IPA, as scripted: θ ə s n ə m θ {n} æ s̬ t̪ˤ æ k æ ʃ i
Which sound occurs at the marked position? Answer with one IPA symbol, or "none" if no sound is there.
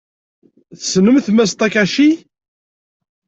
m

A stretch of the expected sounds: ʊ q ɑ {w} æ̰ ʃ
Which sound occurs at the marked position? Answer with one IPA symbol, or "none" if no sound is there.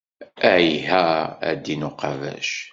v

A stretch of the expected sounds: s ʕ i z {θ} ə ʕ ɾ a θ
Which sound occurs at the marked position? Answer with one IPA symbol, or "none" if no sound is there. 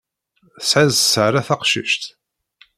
s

